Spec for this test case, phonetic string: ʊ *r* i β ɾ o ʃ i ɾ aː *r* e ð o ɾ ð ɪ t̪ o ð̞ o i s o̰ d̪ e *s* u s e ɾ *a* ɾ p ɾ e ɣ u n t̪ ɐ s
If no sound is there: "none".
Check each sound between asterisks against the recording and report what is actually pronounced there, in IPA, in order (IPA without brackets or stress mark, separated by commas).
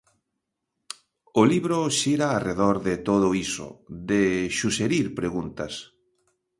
l, r, ʃ, i